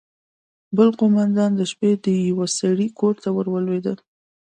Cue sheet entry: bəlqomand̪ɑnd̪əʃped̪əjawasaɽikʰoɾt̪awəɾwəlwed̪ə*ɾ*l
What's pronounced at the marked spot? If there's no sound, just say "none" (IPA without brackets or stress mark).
none